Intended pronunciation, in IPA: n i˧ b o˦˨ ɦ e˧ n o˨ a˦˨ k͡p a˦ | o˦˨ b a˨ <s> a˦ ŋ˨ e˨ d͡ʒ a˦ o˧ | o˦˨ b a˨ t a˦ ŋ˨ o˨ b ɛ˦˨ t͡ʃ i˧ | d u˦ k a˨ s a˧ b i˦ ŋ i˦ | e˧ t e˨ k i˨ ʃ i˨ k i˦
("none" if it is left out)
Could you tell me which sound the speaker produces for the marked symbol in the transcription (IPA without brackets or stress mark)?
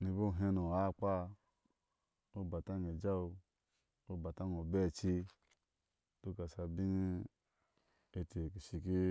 t